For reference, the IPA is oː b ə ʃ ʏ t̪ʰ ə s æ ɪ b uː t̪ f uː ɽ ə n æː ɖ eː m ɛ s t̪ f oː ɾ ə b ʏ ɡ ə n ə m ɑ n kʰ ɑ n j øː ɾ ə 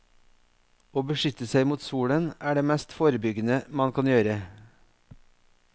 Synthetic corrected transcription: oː b ə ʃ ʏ t̪ ə s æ ɪ m uː t̪ s uː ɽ ə n æː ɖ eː m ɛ s t̪ f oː ɾ ə b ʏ ɡ ə n ə m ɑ n kʰ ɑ n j øː ɾ ə